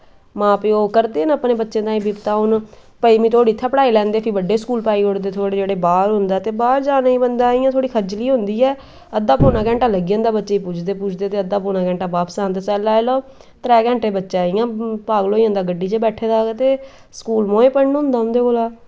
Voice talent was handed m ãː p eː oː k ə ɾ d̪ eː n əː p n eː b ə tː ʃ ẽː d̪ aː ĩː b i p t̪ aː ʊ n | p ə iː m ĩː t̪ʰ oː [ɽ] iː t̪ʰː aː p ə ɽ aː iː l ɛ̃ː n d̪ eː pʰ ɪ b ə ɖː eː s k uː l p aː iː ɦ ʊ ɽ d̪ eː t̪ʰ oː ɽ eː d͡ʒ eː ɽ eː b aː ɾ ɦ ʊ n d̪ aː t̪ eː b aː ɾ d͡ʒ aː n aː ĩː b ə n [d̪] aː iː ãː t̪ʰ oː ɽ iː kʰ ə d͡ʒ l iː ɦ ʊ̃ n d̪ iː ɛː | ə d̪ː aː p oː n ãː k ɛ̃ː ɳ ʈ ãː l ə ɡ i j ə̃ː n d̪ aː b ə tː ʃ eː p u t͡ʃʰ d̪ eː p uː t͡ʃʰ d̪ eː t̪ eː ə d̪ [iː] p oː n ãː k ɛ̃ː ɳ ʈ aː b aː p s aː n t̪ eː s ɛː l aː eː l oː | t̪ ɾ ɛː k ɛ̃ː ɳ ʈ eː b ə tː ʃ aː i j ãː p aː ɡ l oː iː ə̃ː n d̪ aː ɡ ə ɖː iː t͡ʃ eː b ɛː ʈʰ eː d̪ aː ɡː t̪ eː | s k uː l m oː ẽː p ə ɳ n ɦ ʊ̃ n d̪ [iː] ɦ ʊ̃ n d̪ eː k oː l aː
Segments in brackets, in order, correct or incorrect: correct, correct, incorrect: aː, incorrect: aː

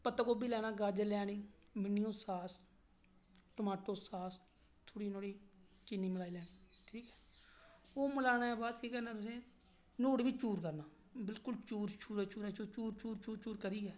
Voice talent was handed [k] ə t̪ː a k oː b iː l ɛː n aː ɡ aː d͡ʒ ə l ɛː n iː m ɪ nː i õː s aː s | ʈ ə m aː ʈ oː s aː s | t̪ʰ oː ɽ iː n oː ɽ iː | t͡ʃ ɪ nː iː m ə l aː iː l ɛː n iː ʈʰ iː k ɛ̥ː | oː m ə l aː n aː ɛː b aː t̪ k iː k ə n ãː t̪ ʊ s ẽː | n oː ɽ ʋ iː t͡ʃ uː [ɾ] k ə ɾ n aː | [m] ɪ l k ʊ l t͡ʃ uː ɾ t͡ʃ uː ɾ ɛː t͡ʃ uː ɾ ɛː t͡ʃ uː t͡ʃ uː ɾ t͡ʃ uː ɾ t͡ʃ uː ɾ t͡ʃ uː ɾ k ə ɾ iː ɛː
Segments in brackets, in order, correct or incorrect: incorrect: p, correct, incorrect: b

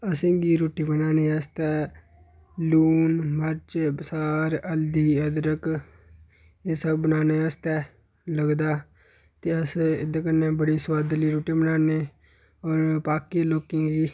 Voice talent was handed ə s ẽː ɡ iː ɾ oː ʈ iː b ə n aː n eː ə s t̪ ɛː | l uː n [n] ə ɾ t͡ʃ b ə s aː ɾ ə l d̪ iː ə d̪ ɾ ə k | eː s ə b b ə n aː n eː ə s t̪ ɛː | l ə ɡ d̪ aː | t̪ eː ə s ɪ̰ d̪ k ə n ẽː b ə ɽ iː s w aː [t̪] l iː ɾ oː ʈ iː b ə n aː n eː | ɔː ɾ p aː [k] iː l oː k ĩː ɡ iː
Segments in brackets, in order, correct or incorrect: incorrect: m, incorrect: d̪, correct

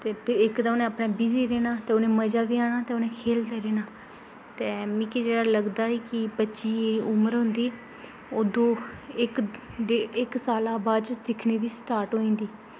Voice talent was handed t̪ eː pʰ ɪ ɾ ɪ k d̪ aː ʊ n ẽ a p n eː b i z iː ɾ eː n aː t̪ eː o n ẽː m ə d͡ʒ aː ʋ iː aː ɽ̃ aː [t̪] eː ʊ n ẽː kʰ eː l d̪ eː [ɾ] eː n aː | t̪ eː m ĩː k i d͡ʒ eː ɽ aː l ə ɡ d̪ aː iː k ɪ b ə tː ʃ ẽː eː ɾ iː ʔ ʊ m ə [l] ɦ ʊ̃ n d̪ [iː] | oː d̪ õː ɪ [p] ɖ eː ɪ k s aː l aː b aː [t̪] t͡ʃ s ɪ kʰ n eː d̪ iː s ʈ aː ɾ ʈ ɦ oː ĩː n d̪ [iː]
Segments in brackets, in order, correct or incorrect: correct, correct, incorrect: ɾ, correct, incorrect: k, incorrect: d̪, correct

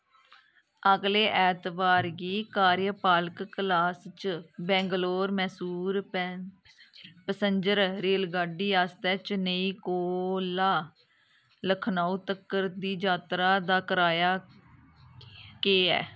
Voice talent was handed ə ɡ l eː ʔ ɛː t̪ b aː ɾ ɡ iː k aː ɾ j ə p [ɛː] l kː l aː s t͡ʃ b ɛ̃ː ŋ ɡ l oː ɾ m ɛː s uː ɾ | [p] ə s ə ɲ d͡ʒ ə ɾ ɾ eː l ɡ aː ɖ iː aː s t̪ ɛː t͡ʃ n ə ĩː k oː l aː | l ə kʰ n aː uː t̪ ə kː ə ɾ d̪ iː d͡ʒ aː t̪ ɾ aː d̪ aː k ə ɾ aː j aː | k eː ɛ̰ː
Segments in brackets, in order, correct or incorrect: incorrect: aː, correct

